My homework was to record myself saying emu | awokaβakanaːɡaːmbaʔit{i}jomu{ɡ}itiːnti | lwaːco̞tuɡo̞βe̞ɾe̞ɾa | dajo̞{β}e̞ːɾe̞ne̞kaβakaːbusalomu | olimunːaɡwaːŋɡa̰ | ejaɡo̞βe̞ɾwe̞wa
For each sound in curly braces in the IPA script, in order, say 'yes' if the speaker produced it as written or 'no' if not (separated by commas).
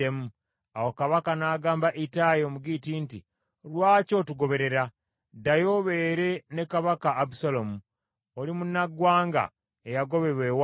no, yes, yes